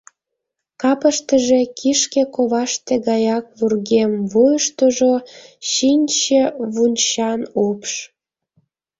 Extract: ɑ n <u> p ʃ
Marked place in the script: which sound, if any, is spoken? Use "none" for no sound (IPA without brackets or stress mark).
o